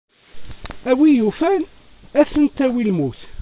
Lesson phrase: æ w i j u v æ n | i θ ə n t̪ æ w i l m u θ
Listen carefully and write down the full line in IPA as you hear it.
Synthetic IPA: æ w i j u f æ n | æ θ ə n t̪ æ w i l m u θ